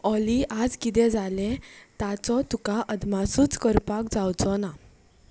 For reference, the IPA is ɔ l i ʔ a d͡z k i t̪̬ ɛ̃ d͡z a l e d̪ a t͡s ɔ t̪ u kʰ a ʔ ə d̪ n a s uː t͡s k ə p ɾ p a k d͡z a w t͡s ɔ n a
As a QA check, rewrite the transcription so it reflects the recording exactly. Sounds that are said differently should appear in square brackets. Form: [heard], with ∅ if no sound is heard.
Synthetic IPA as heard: ɔ l i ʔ a d͡z k i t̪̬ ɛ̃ d͡z a l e [t̪] a t͡s ɔ t̪ u [k] a ʔ ə d̪ [m] a s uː t͡s k ə [∅] ɾ p a k d͡z a w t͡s ɔ n a